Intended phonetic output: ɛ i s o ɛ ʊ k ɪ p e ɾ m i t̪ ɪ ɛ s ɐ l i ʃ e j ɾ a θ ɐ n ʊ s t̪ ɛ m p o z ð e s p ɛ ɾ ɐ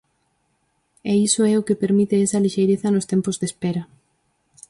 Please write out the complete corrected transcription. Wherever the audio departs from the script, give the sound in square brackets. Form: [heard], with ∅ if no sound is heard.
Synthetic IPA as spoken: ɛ i s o ɛ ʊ k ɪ p e ɾ m i t̪ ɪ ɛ s ɐ l i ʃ e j ɾ [e] θ ɐ n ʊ s t̪ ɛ m p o z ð e s p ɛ ɾ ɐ